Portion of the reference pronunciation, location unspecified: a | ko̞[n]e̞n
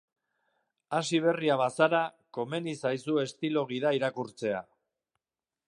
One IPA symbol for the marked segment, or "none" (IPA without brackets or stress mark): m